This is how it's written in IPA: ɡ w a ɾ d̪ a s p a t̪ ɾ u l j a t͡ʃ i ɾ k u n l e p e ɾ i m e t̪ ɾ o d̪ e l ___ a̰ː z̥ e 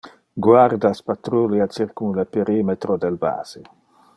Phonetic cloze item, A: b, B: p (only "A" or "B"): A